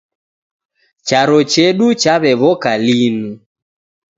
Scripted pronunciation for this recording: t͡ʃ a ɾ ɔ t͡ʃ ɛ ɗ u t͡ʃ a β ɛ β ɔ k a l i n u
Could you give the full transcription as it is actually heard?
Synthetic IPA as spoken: t͡ʃ a ɾ ɔ t͡ʃ ɛ ɗ u t͡ʃ a β ɛ β ɔ k a l i n u